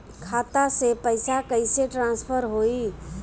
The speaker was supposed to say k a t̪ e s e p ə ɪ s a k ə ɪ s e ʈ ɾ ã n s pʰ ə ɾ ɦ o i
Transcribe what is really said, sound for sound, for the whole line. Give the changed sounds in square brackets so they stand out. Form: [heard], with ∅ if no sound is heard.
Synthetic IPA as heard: [kʰ] a t̪ [a] s e p ə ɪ s a k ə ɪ s e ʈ ɾ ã n s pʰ ə ɾ ɦ o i